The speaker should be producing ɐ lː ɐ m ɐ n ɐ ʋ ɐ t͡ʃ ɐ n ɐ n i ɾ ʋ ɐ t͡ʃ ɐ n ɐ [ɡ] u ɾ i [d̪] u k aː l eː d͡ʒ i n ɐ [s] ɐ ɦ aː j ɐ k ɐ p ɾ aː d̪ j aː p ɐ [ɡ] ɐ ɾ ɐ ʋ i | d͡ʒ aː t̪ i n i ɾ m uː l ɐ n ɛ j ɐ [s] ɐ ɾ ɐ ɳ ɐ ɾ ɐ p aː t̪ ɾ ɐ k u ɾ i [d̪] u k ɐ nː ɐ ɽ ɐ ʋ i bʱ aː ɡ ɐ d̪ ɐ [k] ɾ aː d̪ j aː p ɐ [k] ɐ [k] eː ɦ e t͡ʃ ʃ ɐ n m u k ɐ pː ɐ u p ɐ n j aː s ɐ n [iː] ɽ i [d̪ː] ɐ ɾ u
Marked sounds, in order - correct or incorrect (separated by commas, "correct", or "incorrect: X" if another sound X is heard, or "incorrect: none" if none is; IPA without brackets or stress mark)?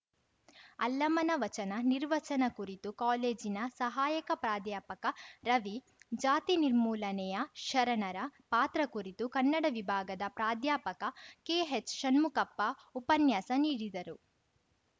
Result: incorrect: k, incorrect: t̪, correct, incorrect: k, incorrect: ʃ, incorrect: t̪, incorrect: p, correct, correct, correct, incorrect: d̪